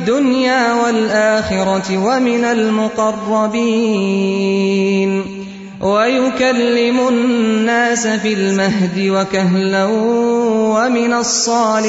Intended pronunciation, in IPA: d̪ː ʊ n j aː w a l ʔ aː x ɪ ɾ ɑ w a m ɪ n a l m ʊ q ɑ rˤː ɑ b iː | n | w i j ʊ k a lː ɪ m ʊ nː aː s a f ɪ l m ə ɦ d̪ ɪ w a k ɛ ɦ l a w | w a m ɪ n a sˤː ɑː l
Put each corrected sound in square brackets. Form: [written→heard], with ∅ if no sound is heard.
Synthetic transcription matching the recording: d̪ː ʊ n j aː w a l ʔ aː x ɪ ɾ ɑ w a m ɪ n a l m ʊ q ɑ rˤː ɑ b iː | n | w [i→a] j ʊ k a lː ɪ m ʊ nː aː s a f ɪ l m [ə→a] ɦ d̪ ɪ w a k [ɛ→a] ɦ l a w | w a m ɪ n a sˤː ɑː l